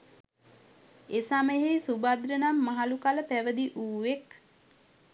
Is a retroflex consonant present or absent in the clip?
absent